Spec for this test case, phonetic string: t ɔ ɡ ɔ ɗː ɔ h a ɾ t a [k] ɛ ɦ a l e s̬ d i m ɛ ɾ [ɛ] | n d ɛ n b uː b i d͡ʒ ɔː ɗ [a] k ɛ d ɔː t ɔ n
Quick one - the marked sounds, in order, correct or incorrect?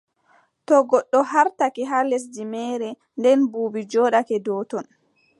correct, correct, correct

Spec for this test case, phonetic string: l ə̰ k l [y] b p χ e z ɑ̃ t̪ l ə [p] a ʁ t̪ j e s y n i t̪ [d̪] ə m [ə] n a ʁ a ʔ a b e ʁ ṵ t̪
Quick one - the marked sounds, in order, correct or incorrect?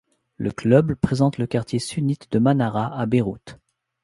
incorrect: œ, incorrect: k, correct, incorrect: a

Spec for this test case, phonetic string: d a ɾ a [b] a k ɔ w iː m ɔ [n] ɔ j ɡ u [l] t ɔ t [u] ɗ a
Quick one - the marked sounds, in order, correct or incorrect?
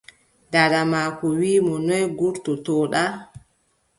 incorrect: m, correct, incorrect: ɾ, incorrect: ɔ

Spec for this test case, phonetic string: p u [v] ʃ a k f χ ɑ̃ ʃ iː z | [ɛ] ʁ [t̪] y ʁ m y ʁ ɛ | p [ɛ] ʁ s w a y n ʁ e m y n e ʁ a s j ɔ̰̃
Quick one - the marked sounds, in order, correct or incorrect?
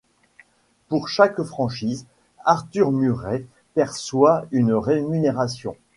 incorrect: ʁ, incorrect: a, correct, correct

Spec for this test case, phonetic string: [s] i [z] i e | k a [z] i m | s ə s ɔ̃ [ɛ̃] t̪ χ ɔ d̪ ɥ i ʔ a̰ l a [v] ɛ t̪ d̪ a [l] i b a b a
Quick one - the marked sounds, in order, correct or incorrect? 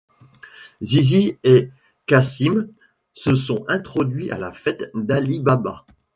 incorrect: z, correct, incorrect: s, correct, incorrect: f, correct

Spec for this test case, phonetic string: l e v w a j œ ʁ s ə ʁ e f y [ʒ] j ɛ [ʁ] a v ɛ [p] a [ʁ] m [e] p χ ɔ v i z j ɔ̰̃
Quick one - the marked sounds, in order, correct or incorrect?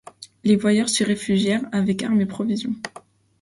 correct, correct, incorrect: k, correct, correct

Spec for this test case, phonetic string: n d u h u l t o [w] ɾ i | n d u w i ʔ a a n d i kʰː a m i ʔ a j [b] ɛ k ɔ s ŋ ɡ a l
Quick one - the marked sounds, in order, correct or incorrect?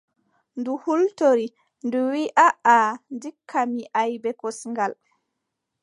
incorrect: none, correct

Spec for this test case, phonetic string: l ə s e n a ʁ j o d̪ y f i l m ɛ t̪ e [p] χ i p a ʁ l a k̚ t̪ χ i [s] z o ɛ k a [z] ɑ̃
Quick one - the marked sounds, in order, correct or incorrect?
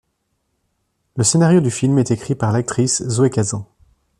incorrect: k, correct, correct

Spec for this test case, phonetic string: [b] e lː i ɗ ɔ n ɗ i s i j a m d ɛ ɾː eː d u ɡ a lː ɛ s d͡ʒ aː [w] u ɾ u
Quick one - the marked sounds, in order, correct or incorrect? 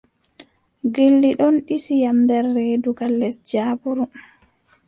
incorrect: ɡ, incorrect: b

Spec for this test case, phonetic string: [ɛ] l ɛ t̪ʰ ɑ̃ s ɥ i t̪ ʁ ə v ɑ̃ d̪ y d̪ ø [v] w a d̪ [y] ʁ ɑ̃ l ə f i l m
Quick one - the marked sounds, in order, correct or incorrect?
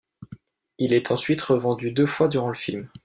incorrect: i, incorrect: f, correct

